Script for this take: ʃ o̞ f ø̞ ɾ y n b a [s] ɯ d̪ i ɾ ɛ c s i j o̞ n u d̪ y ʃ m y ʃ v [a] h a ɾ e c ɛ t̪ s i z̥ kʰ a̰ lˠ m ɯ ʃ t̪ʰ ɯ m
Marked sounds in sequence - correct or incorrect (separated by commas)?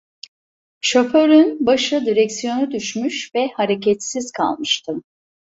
incorrect, incorrect